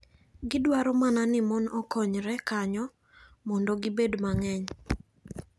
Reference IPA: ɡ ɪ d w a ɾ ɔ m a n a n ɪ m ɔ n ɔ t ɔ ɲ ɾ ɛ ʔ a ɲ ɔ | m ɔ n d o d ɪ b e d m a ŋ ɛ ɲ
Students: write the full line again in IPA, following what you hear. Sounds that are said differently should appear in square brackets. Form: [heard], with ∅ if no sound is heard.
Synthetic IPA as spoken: ɡ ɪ d w a ɾ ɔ m a n a n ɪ m ɔ n ɔ [k] ɔ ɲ ɾ ɛ [k] a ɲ ɔ | m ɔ n d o [ɡ] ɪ b e d m a ŋ ɛ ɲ